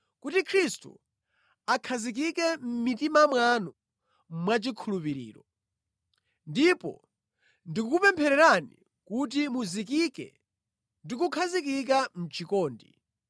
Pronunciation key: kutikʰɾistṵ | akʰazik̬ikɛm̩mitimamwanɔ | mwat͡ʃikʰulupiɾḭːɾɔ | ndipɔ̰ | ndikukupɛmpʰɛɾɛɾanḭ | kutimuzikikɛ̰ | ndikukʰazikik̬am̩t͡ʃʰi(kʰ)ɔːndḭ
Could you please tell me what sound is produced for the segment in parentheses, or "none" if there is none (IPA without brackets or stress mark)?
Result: k